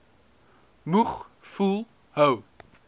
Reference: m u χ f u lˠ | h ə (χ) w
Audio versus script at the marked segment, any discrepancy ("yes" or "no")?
yes